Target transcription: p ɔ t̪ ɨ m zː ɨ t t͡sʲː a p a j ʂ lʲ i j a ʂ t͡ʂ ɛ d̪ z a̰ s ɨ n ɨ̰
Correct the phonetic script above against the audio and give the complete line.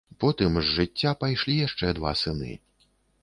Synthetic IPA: p ɔ t̪ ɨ m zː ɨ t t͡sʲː a p a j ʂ lʲ i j a ʂ t͡ʂ ɛ d̪ v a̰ s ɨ n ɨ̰